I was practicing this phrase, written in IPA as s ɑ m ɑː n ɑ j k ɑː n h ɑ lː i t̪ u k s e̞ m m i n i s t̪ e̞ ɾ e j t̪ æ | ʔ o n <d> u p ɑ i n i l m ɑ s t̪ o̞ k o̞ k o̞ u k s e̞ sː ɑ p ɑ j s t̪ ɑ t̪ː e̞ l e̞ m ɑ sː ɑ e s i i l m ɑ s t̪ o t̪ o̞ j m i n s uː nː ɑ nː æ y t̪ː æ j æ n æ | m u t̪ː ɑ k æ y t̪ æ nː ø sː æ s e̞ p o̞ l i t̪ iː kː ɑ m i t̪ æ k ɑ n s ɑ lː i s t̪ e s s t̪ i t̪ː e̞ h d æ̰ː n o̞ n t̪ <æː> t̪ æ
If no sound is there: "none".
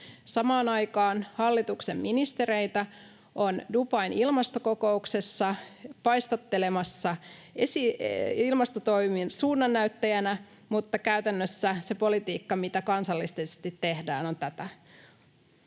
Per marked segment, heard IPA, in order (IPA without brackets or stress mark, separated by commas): d, æ